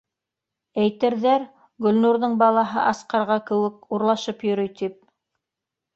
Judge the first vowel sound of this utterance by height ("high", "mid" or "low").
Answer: low